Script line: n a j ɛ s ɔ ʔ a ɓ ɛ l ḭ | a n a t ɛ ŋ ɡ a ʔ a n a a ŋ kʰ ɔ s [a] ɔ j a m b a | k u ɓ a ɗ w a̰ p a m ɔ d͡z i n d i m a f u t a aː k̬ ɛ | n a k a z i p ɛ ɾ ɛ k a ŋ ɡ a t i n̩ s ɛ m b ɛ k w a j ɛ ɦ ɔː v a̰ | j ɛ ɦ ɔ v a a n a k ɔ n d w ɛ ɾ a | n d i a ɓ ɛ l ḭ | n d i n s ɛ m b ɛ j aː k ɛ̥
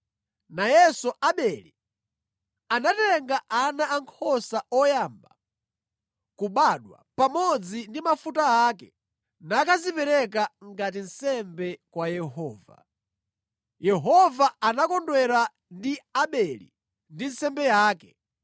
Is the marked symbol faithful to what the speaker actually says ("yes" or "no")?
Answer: yes